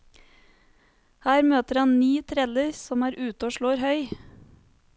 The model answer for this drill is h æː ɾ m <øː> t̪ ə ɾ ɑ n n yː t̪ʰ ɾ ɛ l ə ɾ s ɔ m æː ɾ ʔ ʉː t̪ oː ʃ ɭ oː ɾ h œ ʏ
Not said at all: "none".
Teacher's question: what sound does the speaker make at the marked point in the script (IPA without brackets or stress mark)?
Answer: øː